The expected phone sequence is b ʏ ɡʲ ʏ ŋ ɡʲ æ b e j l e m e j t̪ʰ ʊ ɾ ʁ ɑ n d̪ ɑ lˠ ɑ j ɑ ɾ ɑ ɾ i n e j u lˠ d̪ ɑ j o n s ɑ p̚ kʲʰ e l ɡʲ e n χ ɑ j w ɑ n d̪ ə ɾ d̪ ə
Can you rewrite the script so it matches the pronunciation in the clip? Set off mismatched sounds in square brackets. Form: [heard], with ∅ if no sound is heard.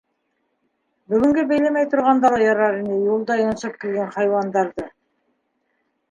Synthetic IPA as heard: b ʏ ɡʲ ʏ ŋ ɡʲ [e] b e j l e m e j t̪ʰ ʊ ɾ ʁ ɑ n d̪ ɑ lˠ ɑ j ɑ ɾ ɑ ɾ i n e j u lˠ d̪ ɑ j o n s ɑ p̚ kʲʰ e l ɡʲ e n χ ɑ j w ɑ n d̪ [ɑ] ɾ d̪ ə